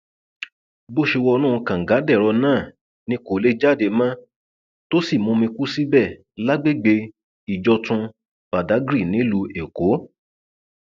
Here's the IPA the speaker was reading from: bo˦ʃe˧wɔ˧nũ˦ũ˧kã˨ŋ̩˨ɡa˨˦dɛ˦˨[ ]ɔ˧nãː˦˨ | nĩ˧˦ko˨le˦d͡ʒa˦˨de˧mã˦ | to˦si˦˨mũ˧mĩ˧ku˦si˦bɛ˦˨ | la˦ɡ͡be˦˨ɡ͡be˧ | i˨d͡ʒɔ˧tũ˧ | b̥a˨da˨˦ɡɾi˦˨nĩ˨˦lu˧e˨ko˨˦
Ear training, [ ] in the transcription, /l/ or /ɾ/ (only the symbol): ɾ